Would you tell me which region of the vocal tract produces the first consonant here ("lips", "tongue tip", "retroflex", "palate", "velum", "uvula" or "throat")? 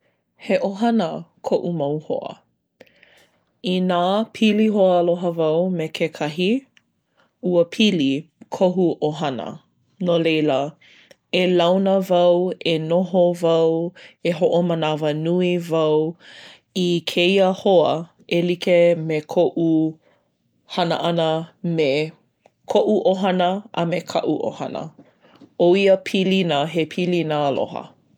throat